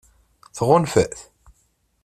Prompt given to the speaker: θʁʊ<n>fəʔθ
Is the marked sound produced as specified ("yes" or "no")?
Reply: yes